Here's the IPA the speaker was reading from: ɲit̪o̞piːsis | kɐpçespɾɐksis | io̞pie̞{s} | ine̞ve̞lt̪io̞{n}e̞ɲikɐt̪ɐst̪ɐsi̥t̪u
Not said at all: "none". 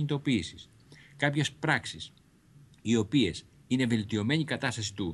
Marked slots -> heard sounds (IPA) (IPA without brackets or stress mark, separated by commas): s, m